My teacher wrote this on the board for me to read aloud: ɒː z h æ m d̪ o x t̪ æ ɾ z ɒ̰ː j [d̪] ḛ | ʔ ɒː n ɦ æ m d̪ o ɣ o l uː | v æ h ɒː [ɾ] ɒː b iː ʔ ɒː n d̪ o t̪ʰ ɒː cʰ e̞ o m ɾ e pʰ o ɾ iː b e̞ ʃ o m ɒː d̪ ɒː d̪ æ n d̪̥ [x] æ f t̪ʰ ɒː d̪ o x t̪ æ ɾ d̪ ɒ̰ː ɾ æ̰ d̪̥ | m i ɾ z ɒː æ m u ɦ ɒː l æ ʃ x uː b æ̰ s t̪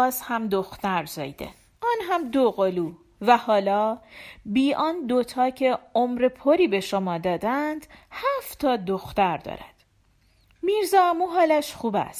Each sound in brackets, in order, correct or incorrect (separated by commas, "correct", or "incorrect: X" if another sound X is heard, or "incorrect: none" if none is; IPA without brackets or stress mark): correct, incorrect: l, incorrect: h